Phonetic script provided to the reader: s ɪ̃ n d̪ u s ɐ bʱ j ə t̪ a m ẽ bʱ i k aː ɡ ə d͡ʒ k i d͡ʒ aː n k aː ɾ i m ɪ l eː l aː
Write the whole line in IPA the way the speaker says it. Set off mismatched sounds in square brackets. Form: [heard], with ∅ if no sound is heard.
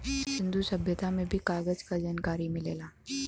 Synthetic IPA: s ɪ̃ n d̪ u s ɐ bʱ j ə t̪ a m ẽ bʱ i k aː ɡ ə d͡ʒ k [a] d͡ʒ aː n k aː ɾ i m ɪ l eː l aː